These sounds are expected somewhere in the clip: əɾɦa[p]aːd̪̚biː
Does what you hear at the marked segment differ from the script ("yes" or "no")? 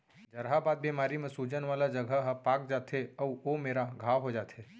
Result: yes